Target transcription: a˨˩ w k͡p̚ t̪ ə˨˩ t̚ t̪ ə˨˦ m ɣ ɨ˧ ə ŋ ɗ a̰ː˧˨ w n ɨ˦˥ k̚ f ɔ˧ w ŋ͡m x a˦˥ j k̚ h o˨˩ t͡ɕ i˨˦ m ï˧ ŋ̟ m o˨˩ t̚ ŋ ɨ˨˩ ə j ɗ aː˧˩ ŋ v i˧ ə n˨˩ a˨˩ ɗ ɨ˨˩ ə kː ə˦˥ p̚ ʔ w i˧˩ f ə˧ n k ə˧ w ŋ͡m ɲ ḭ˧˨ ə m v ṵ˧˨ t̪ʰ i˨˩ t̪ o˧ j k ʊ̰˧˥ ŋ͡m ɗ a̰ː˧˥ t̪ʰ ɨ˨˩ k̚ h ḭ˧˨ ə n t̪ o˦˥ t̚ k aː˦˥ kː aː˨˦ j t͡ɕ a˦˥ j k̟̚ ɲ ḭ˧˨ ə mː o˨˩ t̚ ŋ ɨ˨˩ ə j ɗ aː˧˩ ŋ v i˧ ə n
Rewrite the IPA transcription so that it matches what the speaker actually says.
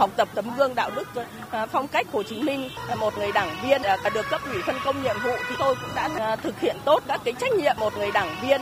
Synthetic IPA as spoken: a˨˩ w k͡p̚ t̪ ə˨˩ p̚ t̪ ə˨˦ m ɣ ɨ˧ ə ŋ ɗ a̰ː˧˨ w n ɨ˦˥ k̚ f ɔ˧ w ŋ͡m k a˦˥ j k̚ h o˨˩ t͡ɕ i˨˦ m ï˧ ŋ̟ m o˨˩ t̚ ŋ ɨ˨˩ ə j ɗ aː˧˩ ŋ v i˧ ə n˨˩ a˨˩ ɗ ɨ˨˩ ə kː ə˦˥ p̚ ʔ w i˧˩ f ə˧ n k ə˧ w ŋ͡m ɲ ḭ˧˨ ə m v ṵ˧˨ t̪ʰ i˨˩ t̪ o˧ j k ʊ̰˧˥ ŋ͡m ɗ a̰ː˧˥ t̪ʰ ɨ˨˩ k̚ h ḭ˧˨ ə n t̪ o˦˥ t̚ k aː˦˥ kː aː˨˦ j t͡ɕ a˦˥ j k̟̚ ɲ ḭ˧˨ ə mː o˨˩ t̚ ŋ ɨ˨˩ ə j ɗ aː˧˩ ŋ v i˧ ə n